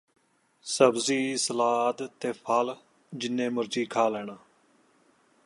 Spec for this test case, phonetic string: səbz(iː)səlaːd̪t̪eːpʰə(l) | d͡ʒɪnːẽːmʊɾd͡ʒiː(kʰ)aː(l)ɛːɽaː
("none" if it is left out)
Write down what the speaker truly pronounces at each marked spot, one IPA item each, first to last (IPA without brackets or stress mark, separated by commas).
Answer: iː, l, kʰ, l